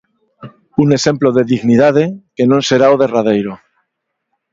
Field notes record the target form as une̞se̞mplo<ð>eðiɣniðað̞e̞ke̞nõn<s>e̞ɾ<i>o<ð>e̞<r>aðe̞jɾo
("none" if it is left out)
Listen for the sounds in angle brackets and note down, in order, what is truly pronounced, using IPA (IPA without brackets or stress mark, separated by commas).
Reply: ð, s, a, ð, r